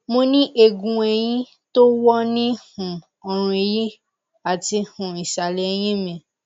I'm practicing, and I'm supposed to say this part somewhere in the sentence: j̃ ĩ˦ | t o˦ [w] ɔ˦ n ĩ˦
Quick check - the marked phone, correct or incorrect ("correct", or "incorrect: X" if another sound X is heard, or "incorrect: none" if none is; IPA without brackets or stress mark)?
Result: correct